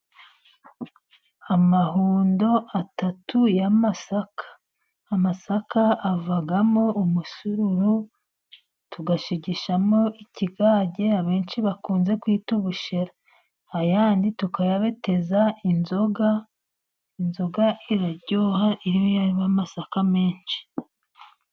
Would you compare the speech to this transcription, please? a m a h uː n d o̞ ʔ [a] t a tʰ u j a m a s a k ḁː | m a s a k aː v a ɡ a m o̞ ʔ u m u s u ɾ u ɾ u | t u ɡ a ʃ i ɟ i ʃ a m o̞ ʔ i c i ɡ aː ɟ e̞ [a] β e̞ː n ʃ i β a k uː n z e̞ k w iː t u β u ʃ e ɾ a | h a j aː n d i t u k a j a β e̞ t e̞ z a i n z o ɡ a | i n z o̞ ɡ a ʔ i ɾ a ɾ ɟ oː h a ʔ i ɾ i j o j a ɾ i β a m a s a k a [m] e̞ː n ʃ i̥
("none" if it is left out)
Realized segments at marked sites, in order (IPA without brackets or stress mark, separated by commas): a, a, m